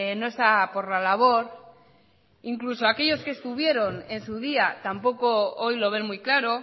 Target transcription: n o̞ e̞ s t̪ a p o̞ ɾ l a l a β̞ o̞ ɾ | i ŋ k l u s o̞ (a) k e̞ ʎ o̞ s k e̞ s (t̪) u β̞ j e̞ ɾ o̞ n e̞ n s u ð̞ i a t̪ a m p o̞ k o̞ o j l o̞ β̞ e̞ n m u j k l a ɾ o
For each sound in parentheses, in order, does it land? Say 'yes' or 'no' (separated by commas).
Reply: yes, yes